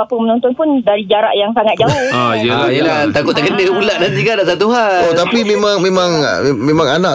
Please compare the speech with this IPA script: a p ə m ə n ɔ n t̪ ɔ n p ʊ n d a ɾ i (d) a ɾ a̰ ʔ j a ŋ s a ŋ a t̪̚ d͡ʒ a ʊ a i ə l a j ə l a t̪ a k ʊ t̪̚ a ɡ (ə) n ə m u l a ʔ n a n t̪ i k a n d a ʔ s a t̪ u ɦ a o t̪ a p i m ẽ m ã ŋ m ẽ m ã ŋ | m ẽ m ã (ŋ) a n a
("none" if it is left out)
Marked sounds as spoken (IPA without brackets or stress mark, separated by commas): d͡ʒ, ə, ŋ